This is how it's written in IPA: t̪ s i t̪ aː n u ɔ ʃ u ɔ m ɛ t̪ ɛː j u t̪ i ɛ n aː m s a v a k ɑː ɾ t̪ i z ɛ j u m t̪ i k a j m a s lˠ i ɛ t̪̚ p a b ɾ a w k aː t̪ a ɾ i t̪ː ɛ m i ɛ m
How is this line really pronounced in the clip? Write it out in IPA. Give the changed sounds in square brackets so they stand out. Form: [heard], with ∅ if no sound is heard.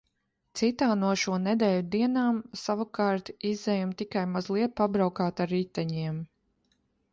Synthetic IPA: t̪ s i t̪ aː n u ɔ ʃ u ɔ [n] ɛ [d̪] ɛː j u [d̪] i ɛ n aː m s a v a k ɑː ɾ t̪ i z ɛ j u m t̪ i k a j m a [z] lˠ i ɛ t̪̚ p a b ɾ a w k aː t̪ a ɾ i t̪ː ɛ [ɲ] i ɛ m